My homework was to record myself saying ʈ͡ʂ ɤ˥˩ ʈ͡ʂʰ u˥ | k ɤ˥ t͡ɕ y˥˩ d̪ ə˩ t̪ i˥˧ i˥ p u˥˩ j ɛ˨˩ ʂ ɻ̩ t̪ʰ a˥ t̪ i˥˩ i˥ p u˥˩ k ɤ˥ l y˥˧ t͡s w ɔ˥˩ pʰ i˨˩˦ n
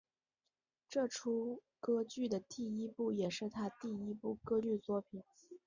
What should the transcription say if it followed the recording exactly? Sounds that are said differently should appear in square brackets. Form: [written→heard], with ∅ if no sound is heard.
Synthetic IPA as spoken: ʈ͡ʂ ɤ˥˩ ʈ͡ʂʰ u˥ | k ɤ˥ t͡ɕ y˥˩ d̪ ə˩ t̪ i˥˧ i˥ p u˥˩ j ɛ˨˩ ʂ ɻ̩ t̪ʰ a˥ t̪ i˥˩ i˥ p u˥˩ k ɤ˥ l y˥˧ t͡s w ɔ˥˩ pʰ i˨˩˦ n